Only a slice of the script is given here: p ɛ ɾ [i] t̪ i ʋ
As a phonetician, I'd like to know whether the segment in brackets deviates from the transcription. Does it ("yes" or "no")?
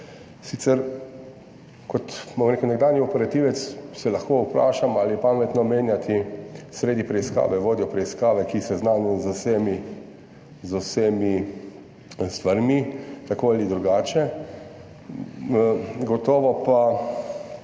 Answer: yes